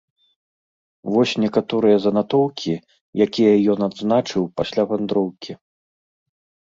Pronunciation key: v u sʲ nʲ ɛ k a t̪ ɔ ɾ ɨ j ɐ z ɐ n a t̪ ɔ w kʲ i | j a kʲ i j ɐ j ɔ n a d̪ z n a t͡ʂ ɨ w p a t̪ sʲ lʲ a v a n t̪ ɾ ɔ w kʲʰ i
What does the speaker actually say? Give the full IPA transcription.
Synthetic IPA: v ɔ sʲ nʲ ɛ k a t̪ ɔ ɾ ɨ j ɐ z ɐ n a t̪ ɔ w kʲ i | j a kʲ i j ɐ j ɔ n a d̪ z n a t͡ʂ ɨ w p a sʲ lʲ a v a n d̪ ɾ ɔ w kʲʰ i